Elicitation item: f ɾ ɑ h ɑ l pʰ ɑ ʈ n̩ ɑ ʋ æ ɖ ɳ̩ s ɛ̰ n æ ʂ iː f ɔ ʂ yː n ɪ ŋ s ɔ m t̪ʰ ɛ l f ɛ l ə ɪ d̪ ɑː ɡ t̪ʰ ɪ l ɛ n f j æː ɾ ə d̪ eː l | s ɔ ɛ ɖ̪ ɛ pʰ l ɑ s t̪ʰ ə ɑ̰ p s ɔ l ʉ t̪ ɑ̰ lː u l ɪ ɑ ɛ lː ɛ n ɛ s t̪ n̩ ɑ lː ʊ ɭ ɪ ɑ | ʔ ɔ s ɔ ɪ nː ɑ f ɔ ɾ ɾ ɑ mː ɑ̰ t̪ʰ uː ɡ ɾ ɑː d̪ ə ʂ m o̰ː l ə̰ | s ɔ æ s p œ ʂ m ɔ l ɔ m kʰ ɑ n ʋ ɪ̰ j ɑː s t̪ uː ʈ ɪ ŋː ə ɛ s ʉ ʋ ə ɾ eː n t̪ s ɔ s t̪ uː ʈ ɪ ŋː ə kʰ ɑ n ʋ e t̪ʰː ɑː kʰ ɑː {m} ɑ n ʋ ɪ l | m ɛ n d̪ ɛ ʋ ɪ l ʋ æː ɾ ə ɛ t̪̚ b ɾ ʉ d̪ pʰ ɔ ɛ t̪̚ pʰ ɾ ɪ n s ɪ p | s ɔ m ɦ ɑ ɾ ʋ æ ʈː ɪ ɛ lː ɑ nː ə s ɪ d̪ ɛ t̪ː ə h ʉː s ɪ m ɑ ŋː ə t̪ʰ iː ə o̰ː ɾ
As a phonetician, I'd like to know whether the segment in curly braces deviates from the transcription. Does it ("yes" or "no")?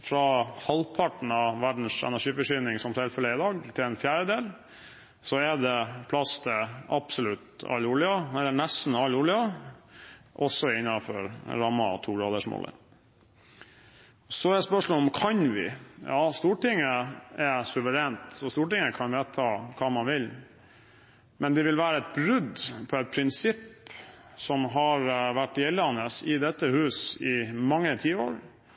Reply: no